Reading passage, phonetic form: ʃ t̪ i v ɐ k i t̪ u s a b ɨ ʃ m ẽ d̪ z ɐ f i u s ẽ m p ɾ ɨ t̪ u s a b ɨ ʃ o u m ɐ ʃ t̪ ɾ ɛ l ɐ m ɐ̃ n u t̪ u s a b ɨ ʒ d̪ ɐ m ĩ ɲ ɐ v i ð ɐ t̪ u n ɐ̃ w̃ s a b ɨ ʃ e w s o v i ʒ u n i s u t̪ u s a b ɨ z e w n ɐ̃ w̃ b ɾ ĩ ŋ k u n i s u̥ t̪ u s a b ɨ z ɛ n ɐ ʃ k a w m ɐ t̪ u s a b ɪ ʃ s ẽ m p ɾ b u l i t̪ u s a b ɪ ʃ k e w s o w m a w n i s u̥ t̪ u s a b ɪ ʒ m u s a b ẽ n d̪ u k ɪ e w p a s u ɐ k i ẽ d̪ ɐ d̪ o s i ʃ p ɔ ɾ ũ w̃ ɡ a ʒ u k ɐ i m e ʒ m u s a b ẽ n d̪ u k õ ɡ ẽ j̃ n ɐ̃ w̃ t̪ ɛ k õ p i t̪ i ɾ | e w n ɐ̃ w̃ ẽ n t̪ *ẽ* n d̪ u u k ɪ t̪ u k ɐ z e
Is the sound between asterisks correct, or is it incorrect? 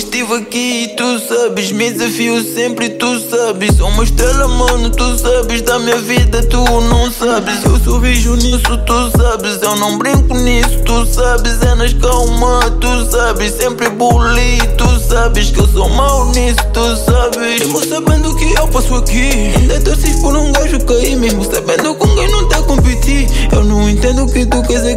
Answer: correct